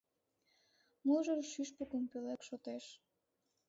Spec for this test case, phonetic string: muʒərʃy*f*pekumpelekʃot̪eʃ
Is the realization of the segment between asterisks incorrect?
yes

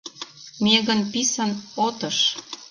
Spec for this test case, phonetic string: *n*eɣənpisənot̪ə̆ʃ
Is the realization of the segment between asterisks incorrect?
yes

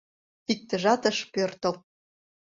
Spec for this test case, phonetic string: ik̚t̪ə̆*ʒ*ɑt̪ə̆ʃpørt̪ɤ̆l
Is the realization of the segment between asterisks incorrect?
no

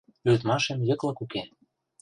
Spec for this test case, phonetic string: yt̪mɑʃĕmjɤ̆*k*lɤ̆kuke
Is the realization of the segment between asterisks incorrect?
no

